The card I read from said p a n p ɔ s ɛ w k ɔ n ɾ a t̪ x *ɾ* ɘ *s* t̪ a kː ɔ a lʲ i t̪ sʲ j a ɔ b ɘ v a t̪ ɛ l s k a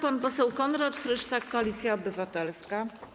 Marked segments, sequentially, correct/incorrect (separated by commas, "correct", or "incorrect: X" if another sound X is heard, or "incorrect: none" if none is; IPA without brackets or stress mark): correct, incorrect: ʂ